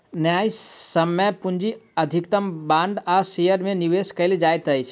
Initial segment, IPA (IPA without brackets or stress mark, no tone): n